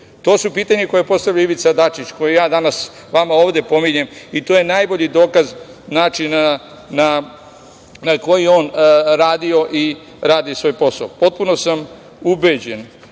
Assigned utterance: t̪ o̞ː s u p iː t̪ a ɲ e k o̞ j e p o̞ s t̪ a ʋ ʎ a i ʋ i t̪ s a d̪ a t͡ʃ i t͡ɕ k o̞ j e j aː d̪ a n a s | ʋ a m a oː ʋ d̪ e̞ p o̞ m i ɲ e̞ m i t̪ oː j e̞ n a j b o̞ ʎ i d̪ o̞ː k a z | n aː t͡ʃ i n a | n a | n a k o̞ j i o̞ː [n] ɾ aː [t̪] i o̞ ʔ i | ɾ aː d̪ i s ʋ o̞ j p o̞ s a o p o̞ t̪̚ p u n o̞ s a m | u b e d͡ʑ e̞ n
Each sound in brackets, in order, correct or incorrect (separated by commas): correct, incorrect